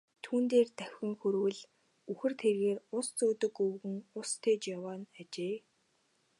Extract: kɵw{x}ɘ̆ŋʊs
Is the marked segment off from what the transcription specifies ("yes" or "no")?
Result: yes